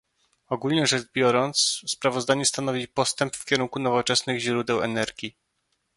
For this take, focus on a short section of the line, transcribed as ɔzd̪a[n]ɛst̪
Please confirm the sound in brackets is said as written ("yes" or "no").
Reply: no